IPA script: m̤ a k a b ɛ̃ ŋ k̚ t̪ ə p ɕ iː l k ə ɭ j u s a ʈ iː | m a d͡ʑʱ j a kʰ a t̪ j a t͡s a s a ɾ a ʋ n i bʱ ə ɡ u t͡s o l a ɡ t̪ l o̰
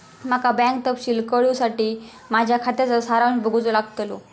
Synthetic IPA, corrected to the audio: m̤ a k a b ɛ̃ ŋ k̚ t̪ ə p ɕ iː l k ə ɭ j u s a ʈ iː | m a d͡ʑʱ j a kʰ a t̪ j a t͡s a s a ɾ a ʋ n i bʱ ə ɡ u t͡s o l a ɡ t̪ l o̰